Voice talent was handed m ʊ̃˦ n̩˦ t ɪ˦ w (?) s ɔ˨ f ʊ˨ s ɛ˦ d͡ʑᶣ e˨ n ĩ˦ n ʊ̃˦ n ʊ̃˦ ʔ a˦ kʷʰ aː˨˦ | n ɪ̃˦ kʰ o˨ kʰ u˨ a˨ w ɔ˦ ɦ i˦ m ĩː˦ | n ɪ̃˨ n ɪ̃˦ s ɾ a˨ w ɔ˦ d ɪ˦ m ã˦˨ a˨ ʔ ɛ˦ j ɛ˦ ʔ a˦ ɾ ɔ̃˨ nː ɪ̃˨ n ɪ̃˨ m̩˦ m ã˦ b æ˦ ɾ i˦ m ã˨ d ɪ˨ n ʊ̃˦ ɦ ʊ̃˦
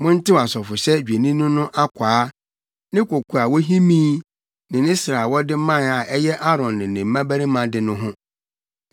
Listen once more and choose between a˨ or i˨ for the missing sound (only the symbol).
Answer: a˨